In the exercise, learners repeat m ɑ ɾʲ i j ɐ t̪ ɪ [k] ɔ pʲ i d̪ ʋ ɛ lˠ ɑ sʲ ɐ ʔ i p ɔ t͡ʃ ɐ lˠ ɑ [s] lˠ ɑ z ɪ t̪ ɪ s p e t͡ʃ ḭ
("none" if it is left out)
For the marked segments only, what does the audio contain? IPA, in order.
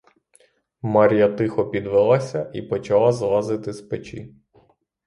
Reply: x, z

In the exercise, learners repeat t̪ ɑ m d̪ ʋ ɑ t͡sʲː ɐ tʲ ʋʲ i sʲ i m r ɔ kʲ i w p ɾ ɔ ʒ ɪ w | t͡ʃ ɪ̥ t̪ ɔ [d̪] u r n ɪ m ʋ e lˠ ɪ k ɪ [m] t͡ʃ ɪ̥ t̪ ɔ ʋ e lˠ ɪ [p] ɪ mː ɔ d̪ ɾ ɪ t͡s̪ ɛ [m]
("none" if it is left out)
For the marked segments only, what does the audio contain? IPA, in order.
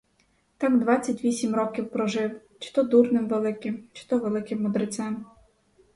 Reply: d̪, m, k, m

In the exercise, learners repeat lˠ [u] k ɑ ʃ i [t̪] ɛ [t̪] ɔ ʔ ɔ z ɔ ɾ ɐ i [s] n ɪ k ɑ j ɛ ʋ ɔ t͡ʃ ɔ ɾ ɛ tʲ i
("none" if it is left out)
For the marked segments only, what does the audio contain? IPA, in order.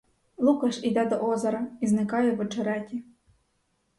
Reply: u, d̪, d̪, z

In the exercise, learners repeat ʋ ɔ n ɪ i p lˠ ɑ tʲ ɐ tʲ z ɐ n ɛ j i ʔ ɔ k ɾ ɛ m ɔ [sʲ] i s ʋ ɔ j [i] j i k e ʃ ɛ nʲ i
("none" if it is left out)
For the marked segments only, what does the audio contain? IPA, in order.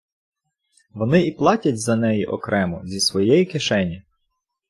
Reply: zʲ, ɛ

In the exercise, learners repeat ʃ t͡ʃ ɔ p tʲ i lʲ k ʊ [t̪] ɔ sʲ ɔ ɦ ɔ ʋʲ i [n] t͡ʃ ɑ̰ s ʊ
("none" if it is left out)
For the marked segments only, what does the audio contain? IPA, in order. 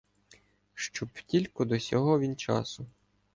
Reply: d̪, n

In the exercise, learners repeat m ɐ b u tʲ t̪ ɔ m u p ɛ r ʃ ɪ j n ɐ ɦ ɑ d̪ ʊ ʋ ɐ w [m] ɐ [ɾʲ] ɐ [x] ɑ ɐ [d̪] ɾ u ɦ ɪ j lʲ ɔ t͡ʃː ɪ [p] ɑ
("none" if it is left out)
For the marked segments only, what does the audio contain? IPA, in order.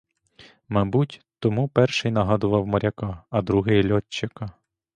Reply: m, ɾʲ, k, d̪, k

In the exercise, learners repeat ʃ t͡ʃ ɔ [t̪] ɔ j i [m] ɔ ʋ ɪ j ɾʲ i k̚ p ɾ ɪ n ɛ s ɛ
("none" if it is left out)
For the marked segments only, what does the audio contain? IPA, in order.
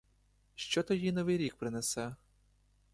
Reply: t̪, n

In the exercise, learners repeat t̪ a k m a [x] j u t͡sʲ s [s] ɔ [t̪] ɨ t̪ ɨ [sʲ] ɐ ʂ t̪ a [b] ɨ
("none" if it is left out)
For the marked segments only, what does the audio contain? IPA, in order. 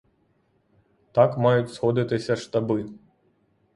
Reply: none, x, d̪, sʲ, b

